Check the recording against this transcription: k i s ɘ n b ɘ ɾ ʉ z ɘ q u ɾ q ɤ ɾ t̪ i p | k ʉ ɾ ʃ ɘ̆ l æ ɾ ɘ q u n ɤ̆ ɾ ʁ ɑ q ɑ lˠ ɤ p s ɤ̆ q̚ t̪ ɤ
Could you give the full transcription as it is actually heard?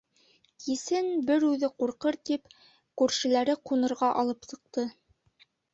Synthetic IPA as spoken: k i s ɘ n b ɘ ɾ ʉ ð ɘ q u ɾ q ɤ ɾ t̪ i p | k ʉ ɾ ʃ ɘ̆ l æ ɾ ɘ q u n ɤ̆ ɾ ʁ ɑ ʔ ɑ lˠ ɤ p s ɤ̆ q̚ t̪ ɤ